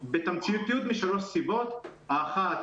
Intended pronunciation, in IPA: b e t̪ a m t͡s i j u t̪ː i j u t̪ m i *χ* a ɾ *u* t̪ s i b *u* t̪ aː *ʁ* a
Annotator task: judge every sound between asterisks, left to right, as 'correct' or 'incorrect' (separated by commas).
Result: incorrect, incorrect, incorrect, incorrect